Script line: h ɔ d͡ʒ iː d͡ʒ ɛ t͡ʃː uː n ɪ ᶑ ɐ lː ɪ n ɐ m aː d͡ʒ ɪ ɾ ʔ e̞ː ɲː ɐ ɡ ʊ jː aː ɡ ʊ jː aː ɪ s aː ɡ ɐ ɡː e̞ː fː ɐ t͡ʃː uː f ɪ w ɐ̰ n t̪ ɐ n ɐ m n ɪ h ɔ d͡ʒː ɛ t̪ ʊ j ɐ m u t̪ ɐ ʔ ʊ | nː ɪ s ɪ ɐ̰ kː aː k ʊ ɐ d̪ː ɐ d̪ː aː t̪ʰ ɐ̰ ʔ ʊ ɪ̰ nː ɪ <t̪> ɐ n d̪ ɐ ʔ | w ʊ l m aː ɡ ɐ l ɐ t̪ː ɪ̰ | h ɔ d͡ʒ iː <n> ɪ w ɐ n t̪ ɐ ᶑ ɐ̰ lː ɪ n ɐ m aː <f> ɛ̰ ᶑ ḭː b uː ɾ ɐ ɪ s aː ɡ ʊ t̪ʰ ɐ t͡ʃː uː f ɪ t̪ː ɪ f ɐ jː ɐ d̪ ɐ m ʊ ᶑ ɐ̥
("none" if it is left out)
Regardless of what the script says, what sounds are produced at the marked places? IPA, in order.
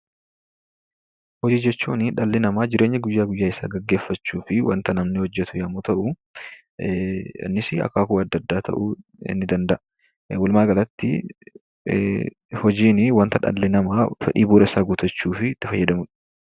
d̪, n, f

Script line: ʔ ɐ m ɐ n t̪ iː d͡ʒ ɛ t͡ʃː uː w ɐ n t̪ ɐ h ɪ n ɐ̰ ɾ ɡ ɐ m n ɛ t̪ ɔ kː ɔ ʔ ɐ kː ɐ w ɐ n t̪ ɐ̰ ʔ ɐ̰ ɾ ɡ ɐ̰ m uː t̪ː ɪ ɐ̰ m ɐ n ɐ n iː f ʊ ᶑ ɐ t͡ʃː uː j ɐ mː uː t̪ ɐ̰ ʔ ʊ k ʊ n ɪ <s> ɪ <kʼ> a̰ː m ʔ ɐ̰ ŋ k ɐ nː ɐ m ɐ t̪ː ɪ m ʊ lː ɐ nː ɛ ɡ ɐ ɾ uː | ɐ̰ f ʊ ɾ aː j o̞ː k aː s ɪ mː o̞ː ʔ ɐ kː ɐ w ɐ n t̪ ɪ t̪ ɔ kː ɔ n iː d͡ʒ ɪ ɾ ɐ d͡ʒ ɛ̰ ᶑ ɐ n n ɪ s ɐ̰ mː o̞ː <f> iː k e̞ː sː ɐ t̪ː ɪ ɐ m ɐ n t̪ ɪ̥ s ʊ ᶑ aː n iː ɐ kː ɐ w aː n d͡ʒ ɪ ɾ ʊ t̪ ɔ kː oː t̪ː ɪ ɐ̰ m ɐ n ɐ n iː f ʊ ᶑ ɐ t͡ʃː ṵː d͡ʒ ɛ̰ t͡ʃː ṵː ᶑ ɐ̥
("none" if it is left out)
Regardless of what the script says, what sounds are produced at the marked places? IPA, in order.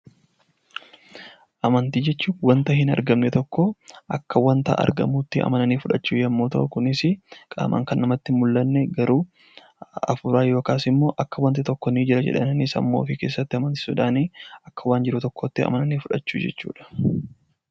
s, kʼ, f

